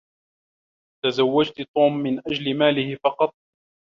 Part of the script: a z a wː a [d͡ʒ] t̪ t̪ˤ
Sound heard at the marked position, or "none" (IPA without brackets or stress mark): d͡ʒ